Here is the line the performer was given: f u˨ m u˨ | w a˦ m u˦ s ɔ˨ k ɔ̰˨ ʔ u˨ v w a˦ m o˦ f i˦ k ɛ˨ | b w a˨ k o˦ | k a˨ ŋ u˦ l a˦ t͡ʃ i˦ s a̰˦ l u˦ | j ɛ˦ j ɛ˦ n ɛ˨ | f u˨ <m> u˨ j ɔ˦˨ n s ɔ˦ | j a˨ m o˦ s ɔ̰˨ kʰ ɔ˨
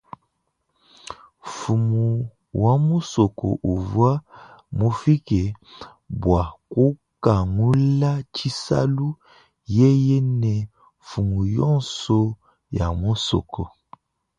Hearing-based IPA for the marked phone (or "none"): m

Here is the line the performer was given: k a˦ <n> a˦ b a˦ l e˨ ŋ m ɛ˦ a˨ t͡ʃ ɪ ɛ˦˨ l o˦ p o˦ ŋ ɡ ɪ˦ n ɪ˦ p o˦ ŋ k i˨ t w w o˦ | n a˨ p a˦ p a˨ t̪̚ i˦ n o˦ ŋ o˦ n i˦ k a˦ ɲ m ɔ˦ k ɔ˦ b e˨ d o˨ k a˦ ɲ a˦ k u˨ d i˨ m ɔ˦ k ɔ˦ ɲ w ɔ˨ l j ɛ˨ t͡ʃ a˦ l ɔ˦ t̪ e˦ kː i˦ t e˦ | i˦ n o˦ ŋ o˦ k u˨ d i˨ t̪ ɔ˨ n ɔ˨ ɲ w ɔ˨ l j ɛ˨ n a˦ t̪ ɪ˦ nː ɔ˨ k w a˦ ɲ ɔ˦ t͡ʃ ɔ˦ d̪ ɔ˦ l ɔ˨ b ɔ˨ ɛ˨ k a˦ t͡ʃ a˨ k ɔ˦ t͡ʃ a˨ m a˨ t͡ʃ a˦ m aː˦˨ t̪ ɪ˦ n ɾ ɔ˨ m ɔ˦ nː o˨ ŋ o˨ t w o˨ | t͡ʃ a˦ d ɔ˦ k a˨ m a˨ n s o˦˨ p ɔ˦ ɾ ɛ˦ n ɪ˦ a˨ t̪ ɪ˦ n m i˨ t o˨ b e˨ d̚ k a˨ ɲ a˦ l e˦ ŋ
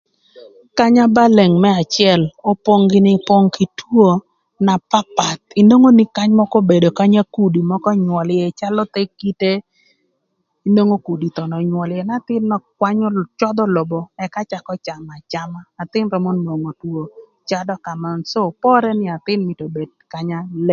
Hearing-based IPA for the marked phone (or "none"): ɲ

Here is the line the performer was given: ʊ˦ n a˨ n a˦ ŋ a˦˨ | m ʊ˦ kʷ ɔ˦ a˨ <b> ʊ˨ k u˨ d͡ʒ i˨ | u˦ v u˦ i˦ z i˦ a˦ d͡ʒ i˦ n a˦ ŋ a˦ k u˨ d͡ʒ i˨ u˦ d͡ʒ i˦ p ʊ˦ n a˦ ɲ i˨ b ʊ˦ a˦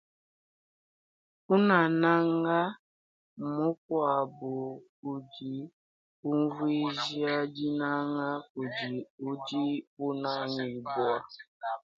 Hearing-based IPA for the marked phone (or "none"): b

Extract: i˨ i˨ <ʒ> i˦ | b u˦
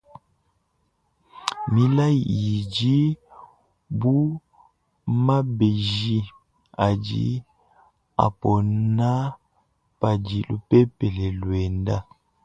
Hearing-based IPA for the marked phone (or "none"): d͡ʒ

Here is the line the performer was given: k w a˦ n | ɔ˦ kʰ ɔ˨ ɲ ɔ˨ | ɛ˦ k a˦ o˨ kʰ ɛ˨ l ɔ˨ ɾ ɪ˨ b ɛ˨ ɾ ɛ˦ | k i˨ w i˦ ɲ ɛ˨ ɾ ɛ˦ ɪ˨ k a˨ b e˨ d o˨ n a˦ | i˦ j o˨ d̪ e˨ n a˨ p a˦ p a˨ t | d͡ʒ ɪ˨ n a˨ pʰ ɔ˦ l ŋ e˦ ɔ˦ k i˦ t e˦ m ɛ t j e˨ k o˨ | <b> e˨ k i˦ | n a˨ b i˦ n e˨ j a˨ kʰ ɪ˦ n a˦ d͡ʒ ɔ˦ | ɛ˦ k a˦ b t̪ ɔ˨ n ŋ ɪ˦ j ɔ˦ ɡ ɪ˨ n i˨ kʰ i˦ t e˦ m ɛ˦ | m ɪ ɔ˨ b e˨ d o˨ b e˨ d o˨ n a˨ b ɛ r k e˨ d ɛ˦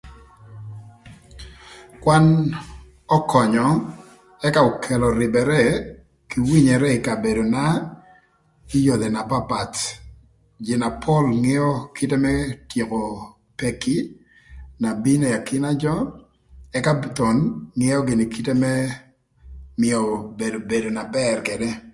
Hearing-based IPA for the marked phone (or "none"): p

